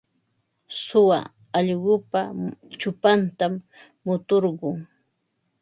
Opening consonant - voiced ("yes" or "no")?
no